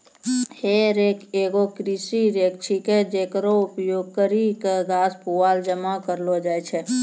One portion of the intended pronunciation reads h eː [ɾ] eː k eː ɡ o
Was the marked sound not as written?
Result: no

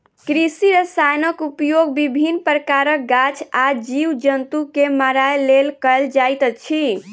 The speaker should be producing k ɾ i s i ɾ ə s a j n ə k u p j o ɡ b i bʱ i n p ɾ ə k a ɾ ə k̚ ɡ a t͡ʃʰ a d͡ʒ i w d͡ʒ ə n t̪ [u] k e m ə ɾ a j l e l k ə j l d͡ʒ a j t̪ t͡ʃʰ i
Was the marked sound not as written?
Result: no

